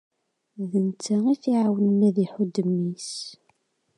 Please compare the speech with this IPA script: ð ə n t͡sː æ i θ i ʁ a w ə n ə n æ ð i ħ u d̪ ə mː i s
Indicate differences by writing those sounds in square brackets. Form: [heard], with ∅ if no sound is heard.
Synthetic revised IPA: ð ə n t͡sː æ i θ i [ʕ] a w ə n ə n æ ð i ħ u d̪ ə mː i s